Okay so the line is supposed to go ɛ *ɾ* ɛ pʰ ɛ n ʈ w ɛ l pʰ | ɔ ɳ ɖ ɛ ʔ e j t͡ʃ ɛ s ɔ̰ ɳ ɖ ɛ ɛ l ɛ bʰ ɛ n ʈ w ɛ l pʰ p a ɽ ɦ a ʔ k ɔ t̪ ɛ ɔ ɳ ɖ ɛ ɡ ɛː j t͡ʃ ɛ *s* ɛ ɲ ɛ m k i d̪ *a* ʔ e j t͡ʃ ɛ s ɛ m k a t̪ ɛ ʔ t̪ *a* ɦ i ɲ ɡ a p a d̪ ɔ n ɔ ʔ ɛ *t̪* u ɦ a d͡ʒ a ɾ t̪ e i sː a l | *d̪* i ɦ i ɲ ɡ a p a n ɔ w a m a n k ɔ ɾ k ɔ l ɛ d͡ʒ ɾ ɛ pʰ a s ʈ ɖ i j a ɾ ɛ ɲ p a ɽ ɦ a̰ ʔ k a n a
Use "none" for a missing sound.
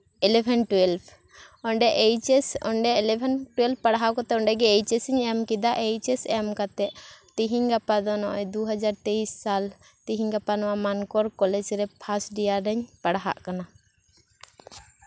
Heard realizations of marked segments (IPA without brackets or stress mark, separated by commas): l, s, a, i, d̪, t̪